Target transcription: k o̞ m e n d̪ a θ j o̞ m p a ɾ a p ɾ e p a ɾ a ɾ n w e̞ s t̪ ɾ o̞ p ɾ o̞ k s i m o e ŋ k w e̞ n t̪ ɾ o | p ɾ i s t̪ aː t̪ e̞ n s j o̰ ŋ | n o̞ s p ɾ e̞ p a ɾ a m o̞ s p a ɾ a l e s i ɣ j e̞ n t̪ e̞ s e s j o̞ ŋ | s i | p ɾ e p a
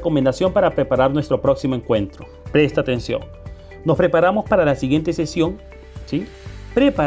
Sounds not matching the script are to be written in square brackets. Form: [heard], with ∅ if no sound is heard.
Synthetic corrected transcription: k o̞ m e n d̪ a [s] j o̞ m p a ɾ a p ɾ e p a ɾ a ɾ n w e̞ s t̪ ɾ o̞ p ɾ o̞ k s i m o e ŋ k w e̞ n t̪ ɾ o | p ɾ [e] s t̪ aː t̪ e̞ n s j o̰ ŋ | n o̞ s p ɾ e̞ p a ɾ a m o̞ s p a ɾ a l [a] s i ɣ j e̞ n t̪ e̞ s e s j o̞ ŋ | s i | p ɾ e p a